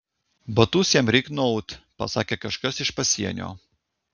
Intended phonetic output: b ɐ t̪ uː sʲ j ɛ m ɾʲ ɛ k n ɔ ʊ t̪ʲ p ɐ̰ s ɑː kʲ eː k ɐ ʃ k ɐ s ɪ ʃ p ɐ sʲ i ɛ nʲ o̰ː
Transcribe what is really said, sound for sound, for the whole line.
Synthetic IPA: b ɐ t̪ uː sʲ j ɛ m ɾʲ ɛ k n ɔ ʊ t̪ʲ p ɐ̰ s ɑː kʲ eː k ɐ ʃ k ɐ s ɪ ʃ p ɐ sʲ i ɛ nʲ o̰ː